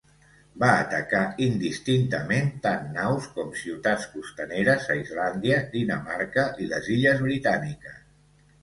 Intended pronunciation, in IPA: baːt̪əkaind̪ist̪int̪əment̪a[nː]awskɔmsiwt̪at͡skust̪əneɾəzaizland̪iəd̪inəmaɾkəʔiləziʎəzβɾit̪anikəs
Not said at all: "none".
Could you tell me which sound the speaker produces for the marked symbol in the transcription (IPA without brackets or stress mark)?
nː